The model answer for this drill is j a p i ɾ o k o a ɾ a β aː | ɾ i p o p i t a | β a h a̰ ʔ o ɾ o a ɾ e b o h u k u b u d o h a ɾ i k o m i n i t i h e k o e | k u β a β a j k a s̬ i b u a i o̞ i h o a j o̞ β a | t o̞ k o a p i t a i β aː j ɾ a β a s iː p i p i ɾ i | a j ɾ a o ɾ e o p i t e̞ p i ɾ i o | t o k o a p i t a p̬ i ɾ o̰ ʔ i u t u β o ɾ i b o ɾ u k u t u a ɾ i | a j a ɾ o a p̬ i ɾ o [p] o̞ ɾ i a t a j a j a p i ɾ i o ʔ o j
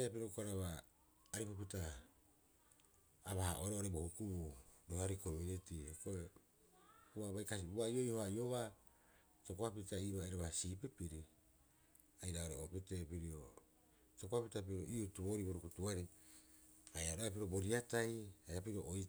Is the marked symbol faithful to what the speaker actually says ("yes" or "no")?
no